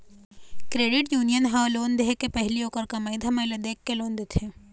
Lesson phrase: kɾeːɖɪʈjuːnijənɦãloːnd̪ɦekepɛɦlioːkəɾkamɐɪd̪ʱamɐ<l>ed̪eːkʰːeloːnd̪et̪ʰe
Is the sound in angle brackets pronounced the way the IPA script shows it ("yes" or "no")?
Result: yes